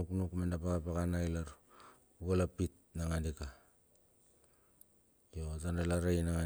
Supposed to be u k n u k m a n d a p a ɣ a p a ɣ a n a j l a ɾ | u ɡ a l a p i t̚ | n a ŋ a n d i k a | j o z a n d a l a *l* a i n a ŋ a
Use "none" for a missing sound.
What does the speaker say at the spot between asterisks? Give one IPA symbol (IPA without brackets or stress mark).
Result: ɾ